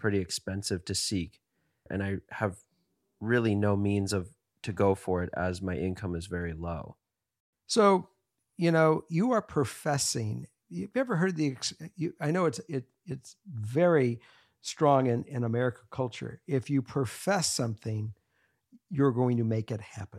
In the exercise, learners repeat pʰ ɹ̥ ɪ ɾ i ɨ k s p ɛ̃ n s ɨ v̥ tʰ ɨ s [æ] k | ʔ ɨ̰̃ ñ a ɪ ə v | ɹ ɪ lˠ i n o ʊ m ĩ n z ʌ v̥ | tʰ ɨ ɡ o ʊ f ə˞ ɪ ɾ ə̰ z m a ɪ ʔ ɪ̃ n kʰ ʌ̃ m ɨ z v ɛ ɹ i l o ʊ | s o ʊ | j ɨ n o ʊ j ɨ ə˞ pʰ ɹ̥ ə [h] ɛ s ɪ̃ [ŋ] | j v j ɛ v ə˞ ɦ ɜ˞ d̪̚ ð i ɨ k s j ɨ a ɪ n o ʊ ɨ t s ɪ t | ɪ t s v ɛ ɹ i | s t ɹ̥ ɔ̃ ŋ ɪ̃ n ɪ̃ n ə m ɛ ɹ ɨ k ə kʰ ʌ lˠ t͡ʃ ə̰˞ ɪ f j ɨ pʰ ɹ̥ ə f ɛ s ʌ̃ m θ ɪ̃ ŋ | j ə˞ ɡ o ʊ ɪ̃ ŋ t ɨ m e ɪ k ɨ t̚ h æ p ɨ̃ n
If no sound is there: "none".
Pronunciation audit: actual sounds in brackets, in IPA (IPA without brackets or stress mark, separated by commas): i, f, ŋ